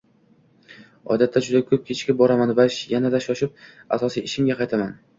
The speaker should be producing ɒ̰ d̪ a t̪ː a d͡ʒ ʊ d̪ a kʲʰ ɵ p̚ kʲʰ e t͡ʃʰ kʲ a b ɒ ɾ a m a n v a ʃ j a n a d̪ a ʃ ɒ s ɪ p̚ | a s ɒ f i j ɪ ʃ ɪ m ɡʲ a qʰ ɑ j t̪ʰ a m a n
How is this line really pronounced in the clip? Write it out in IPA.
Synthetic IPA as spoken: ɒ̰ d̪ a t̪ː a d͡ʒ ʊ d̪ a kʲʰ ɵ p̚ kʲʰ e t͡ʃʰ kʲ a b ɒ ɾ a m a n v a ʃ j a n a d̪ a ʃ ɒ ʃ ɪ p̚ | a s ɒ s i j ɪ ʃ ɪ m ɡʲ a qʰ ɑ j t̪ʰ a m a n